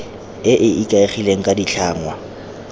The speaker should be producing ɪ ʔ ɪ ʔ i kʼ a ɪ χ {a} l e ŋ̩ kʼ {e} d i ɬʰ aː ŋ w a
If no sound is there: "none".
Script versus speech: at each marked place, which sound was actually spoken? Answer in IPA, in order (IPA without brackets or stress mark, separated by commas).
i, a